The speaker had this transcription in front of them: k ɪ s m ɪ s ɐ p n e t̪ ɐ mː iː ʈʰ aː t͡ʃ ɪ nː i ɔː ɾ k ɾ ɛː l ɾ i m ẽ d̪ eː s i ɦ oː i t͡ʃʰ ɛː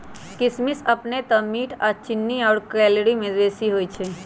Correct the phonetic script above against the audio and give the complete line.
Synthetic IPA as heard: k ɪ s m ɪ s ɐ p n e t̪ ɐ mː iː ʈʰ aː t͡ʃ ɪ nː i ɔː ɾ k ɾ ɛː l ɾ i m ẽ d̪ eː s i ɦ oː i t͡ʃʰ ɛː